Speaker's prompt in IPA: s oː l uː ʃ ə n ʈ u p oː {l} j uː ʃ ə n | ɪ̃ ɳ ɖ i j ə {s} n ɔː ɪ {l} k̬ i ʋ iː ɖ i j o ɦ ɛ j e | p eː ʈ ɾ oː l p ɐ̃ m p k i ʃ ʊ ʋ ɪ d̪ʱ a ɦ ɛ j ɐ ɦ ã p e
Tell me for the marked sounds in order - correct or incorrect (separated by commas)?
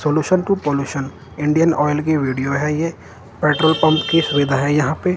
correct, incorrect, correct